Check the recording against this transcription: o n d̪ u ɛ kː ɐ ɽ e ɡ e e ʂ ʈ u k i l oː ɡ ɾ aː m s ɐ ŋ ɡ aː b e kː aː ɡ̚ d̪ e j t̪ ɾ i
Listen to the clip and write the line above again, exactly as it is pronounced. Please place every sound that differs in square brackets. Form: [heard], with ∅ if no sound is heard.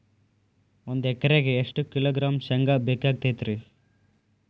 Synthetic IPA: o n d̪ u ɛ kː ɐ [ɾ] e ɡ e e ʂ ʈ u k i l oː ɡ ɾ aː m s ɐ ŋ ɡ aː b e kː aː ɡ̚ [t̪] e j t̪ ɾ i